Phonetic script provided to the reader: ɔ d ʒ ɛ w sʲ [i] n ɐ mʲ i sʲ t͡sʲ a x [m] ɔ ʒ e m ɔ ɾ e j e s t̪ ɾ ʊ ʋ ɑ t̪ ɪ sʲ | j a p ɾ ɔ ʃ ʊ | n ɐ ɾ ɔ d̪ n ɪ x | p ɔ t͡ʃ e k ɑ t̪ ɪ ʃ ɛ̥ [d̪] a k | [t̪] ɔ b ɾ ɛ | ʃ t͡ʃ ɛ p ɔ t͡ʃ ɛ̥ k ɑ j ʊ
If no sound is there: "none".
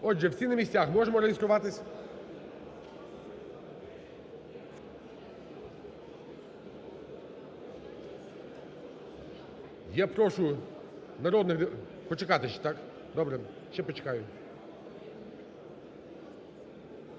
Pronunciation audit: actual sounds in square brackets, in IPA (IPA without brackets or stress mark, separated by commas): i, m, t̪, d̪